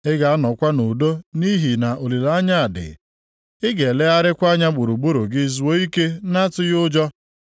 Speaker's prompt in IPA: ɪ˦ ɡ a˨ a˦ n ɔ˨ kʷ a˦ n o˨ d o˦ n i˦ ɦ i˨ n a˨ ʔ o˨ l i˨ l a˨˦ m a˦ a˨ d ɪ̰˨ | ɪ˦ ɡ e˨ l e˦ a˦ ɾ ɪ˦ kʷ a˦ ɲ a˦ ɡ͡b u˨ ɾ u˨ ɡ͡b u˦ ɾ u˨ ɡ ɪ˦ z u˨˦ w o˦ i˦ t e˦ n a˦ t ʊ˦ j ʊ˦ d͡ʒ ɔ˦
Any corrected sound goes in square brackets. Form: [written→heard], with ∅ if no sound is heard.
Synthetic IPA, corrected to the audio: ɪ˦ ɡ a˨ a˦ n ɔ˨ kʷ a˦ n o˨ d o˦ n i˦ ɦ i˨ n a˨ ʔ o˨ l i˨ l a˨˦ [m→ɲ] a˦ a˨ d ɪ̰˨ | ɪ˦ ɡ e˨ l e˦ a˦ ɾ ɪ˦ kʷ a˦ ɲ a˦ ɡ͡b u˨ ɾ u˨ ɡ͡b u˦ ɾ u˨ ɡ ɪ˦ z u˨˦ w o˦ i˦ [t→k] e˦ n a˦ t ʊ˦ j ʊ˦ d͡ʒ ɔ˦